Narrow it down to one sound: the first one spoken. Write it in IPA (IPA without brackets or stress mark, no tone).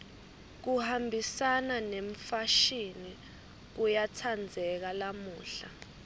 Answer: k̬